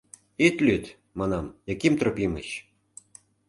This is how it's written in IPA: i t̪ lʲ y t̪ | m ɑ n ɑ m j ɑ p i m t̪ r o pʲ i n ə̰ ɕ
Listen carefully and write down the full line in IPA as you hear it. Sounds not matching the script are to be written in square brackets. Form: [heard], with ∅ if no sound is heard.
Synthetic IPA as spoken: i t̪ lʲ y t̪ | m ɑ n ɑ m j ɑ [k] i m t̪ r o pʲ i [m] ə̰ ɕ